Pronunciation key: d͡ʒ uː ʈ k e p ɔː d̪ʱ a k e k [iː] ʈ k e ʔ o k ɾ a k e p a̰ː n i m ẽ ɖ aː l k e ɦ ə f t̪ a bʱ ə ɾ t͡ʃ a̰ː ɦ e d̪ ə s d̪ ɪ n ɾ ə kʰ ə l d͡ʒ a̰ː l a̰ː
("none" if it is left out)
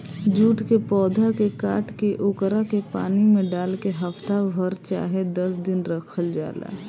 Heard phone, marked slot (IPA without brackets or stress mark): aː